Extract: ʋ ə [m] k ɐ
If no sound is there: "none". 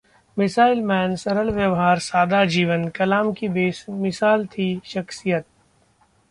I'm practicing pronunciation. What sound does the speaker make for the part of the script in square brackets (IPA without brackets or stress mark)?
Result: n